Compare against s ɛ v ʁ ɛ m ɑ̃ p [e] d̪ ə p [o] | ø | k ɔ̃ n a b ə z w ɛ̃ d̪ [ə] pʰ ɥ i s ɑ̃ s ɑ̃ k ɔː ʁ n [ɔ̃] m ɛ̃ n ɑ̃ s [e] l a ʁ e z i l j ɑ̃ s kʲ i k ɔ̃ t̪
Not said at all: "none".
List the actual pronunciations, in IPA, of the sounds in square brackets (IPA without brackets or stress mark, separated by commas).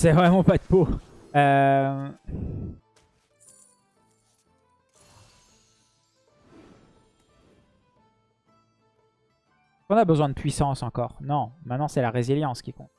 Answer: a, o, ə, ɔ̃, ɛ